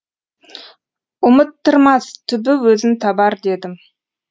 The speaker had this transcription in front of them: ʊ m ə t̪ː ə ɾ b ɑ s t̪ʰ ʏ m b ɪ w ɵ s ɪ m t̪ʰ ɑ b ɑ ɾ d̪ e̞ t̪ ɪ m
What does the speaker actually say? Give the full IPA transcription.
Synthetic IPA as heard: ʊ m ə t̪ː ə ɾ m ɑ s t̪ʰ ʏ b ɪ w ɵ z ɪ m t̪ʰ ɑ b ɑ ɾ d̪ e̞ d̪ ɪ m